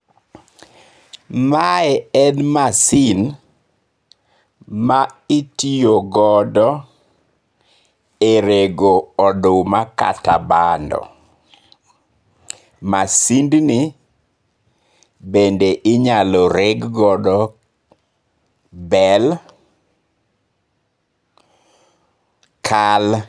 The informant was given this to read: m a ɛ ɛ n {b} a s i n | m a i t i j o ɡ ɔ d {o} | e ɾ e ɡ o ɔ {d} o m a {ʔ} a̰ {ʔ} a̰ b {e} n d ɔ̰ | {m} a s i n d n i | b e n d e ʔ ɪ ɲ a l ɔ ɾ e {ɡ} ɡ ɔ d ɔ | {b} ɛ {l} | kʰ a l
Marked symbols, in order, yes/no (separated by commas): no, no, yes, no, no, no, yes, yes, yes, yes